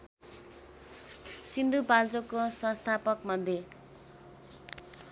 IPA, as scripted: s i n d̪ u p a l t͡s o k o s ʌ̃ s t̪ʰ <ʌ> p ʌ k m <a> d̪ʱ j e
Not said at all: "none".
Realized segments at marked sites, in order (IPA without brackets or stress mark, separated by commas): a, ʌ